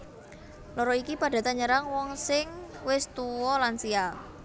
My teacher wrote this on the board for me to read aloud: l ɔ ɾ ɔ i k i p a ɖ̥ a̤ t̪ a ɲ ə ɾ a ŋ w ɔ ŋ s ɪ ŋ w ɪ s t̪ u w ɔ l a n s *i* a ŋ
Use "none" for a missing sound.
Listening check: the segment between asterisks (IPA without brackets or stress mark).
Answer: i